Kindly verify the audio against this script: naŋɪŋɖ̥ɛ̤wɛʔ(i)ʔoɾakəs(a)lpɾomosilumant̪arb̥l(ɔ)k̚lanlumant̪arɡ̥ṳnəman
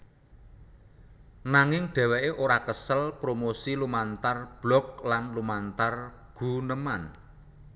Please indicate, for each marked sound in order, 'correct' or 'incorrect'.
incorrect, incorrect, correct

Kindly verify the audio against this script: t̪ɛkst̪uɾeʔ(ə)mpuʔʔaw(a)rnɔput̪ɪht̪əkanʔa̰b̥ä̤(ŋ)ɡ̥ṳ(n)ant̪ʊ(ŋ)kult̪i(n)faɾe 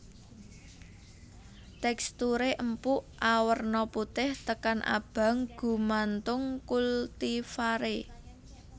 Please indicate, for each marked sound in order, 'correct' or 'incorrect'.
correct, incorrect, correct, incorrect, correct, incorrect

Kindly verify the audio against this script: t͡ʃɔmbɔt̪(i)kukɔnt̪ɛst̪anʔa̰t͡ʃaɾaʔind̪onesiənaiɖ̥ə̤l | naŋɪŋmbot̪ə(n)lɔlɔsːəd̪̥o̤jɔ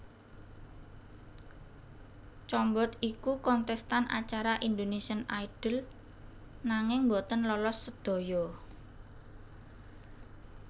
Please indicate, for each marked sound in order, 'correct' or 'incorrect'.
correct, correct

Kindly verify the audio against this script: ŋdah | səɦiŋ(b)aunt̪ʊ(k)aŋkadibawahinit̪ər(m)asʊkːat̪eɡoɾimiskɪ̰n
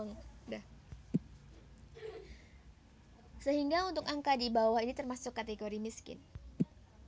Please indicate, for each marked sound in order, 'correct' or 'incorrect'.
incorrect, correct, correct

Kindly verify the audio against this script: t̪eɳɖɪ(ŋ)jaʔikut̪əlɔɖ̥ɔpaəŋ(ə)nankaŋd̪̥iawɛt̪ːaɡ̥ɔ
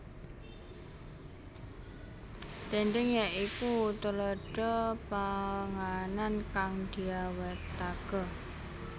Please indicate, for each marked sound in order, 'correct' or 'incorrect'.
correct, incorrect

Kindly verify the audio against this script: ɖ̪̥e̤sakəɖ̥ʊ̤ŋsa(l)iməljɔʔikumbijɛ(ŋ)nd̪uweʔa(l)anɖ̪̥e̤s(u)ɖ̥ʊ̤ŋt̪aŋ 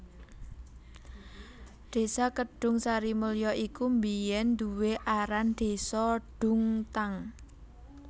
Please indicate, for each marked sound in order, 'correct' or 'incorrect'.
incorrect, incorrect, incorrect, incorrect

